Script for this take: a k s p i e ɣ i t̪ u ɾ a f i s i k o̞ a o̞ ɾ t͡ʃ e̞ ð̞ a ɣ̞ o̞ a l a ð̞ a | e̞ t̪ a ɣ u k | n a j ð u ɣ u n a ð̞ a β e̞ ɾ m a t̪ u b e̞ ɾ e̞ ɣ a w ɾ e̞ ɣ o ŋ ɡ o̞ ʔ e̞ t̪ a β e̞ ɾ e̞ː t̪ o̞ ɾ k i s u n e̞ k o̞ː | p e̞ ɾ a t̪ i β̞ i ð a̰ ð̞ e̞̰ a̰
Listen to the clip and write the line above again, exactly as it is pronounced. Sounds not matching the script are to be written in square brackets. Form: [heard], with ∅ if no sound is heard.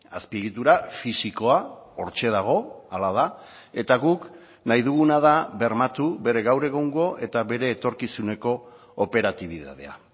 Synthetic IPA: a [∅] s p i e ɣ i t̪ u ɾ a f i s i k o̞ a o̞ ɾ t͡ʃ e̞ ð̞ a ɣ̞ o̞ a l a ð̞ a | e̞ t̪ a ɣ u k | n a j ð u ɣ u n a ð̞ a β e̞ ɾ m a t̪ u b e̞ ɾ e̞ ɣ a w ɾ e̞ ɣ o ŋ ɡ o̞ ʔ e̞ t̪ a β e̞ ɾ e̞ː t̪ o̞ ɾ k i s u n e̞ k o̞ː | p e̞ ɾ a t̪ i β̞ i ð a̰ ð̞ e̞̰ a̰